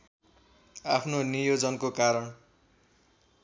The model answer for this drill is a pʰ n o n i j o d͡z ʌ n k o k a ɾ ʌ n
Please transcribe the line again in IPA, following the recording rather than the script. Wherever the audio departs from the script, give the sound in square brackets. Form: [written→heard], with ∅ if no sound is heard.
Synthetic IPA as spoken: a pʰ n o n i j o d͡z ʌ n k o k a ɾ ʌ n